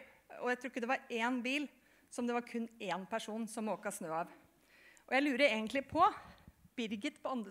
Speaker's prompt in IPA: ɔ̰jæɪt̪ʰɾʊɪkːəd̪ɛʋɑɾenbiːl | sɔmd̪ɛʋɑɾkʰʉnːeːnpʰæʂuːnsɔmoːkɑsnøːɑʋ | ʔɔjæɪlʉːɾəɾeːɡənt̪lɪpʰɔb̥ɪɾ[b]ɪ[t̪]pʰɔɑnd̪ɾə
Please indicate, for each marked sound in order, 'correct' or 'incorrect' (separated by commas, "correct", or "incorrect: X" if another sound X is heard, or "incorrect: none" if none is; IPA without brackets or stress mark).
incorrect: ɡ, correct